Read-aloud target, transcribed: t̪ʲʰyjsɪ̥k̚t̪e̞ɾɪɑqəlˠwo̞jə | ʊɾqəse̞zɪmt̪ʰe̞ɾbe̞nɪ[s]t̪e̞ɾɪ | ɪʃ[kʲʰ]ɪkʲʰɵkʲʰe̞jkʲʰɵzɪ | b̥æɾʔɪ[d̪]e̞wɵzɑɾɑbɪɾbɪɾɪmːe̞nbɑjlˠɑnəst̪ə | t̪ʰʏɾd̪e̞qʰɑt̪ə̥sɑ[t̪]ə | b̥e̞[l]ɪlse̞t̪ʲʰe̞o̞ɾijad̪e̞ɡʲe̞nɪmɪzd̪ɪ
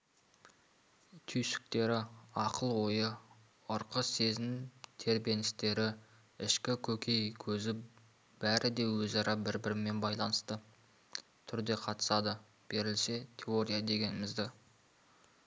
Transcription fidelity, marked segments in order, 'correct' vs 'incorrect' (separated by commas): correct, incorrect, correct, incorrect, incorrect